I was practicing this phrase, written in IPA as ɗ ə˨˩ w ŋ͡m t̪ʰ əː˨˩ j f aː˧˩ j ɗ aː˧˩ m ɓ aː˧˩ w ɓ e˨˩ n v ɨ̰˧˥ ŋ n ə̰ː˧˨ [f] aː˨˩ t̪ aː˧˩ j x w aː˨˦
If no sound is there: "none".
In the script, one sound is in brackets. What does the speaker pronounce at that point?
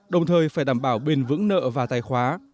v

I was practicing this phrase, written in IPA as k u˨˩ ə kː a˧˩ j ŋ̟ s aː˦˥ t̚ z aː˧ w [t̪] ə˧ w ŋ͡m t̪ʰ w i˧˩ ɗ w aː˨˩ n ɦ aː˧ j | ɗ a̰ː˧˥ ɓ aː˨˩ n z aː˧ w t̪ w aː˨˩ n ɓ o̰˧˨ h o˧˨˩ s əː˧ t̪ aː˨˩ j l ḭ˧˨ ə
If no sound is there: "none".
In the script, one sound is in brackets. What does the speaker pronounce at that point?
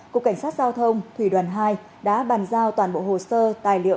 t̪ʰ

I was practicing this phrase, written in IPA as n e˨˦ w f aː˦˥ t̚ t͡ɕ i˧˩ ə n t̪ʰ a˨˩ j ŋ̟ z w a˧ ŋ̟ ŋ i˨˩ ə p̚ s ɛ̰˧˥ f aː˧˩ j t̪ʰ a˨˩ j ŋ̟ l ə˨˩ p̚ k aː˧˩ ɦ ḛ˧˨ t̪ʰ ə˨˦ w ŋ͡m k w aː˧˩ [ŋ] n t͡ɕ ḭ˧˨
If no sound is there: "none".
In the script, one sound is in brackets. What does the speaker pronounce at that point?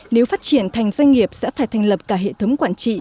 none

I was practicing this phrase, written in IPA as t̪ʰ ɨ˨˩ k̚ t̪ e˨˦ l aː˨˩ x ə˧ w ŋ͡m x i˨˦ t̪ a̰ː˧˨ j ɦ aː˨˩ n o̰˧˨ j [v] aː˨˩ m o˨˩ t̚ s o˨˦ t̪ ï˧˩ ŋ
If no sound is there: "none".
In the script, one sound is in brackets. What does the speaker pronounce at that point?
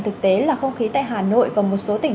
v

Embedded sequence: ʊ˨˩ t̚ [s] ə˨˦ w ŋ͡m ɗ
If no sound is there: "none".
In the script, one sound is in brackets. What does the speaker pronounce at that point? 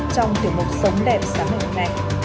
s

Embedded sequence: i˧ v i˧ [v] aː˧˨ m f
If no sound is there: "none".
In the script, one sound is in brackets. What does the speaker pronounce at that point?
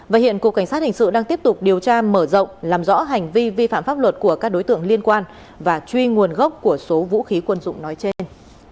f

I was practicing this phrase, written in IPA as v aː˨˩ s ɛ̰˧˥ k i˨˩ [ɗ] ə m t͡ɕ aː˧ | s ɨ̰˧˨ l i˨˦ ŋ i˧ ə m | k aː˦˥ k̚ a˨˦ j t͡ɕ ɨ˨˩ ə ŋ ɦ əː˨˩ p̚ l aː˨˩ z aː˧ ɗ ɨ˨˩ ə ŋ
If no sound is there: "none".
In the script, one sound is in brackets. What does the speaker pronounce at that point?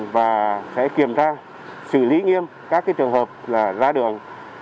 none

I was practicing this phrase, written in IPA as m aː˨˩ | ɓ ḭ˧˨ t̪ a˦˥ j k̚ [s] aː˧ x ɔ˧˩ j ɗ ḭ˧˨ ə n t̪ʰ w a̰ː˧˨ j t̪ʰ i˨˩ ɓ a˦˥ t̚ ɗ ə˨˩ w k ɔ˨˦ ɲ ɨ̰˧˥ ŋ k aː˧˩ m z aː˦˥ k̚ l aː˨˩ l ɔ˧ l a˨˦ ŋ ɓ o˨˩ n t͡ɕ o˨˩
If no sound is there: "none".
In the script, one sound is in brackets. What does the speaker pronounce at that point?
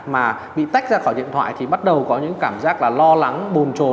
z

